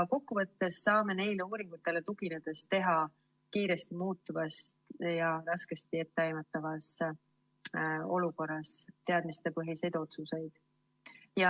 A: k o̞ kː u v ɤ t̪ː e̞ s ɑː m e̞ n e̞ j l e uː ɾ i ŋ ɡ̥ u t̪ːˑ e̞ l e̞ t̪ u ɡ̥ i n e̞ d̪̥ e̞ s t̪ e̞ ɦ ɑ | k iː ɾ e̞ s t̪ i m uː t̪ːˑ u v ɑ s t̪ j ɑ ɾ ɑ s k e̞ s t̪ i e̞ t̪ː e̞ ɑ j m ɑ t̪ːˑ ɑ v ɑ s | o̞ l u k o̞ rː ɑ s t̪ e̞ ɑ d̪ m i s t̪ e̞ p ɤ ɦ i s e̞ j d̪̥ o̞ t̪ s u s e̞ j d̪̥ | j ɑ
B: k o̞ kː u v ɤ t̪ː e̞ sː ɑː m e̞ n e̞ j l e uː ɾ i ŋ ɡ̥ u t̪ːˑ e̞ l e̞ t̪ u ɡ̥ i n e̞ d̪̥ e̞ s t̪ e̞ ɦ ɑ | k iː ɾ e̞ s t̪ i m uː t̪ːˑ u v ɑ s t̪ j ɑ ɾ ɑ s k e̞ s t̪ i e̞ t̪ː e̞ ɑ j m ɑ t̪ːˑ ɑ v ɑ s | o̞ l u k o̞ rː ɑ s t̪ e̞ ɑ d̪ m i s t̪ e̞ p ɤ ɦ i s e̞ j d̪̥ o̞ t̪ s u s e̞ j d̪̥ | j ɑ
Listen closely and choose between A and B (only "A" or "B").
B